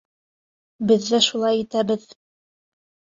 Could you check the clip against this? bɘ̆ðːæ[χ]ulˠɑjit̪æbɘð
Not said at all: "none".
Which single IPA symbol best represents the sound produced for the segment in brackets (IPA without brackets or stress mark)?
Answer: ʃ